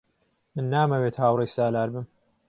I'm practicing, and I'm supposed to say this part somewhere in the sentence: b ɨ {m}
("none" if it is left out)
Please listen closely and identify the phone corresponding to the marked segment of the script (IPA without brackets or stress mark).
m